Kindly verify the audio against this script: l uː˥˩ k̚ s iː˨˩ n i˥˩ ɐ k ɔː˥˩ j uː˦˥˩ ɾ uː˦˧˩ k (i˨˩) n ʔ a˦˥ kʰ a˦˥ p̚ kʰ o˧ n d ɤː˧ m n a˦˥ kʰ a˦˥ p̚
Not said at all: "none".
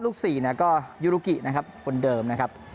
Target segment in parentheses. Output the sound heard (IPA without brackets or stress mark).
i˨˩